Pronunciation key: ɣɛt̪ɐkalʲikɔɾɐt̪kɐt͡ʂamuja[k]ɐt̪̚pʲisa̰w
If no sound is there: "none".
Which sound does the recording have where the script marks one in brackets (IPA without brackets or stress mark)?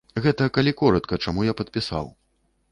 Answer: p